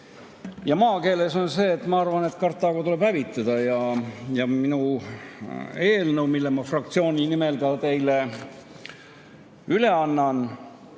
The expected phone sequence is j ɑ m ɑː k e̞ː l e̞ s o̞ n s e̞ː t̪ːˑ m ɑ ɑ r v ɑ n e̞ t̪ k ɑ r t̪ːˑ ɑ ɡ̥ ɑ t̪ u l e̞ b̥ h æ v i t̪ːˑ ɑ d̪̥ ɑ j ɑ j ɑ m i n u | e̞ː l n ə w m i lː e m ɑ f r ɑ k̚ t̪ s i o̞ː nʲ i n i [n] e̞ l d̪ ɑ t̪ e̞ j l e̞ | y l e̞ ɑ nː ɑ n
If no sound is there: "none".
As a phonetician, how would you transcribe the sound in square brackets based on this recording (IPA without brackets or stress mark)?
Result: m